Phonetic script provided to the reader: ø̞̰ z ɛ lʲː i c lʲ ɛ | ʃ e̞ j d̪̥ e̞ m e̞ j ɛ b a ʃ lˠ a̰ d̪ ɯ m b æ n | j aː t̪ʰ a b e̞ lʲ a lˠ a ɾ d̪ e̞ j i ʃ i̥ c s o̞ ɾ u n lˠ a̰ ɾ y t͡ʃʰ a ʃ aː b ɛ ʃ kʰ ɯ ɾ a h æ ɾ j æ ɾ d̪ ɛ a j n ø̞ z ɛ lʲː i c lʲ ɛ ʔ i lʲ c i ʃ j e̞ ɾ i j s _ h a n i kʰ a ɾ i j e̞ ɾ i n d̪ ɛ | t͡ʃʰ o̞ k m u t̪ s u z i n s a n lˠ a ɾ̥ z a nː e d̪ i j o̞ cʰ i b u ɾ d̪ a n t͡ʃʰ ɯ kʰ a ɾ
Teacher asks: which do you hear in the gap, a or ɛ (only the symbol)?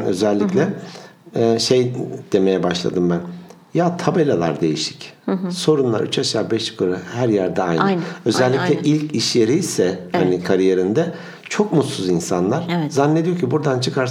ɛ